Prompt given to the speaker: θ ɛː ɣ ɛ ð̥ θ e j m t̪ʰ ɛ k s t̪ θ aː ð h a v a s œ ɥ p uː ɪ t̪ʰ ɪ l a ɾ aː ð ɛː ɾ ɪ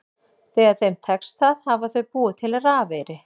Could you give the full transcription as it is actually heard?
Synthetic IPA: θ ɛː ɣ a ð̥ θ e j m t̪ʰ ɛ k s t̪ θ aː ð h a v a θ œ ɥ p uː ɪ t̪ʰ ɪ l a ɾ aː v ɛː ɾ ɪ